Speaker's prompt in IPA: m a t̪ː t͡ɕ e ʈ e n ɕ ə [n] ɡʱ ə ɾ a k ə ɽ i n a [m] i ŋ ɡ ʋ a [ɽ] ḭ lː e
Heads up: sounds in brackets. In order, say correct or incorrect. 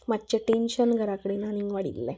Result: correct, incorrect, correct

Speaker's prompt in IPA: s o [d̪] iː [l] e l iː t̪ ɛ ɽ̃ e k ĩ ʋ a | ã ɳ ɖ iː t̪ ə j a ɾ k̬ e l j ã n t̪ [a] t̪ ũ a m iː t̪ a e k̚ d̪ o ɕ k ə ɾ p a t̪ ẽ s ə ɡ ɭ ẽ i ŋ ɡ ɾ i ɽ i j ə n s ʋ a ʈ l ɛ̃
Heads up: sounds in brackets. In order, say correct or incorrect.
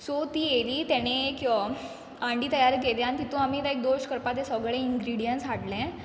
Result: incorrect, incorrect, incorrect

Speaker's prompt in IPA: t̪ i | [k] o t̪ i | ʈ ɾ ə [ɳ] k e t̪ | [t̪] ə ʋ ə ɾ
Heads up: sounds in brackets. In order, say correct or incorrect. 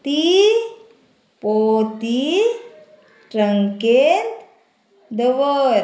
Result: incorrect, incorrect, incorrect

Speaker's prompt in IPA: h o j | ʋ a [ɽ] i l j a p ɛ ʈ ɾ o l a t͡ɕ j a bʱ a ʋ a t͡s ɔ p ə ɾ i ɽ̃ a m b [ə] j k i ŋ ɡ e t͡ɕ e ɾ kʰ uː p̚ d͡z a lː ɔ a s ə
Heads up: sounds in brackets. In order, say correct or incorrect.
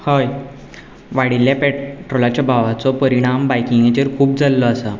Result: correct, incorrect

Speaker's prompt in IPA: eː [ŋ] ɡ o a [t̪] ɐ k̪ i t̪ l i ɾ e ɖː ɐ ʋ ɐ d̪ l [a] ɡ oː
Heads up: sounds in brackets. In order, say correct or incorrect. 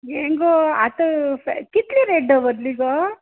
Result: correct, correct, incorrect

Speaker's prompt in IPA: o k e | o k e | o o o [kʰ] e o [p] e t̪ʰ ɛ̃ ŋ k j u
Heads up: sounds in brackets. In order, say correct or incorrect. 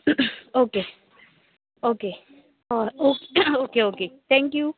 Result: incorrect, incorrect

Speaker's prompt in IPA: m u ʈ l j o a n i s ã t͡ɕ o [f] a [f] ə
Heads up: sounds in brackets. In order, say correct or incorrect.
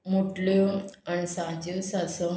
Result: incorrect, incorrect

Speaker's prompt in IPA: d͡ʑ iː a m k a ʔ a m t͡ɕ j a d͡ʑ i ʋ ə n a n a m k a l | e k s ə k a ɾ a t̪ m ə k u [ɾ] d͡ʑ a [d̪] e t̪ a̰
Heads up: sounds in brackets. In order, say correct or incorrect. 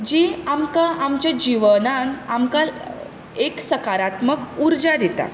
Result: correct, correct

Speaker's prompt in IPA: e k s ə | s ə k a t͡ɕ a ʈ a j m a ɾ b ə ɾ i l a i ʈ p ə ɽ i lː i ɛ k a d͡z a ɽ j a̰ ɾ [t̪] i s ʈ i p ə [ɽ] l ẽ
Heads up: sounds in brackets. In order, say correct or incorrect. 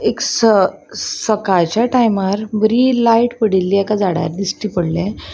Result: incorrect, correct

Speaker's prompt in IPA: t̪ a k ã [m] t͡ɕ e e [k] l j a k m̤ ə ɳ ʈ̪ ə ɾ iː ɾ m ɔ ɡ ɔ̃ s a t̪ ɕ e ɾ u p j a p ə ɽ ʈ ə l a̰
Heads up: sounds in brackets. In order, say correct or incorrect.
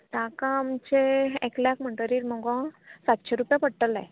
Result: correct, correct

